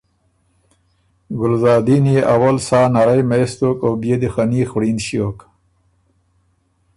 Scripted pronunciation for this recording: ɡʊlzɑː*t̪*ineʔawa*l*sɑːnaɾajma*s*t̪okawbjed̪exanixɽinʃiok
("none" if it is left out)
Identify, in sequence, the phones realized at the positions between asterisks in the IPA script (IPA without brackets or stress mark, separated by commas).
d̪, l, s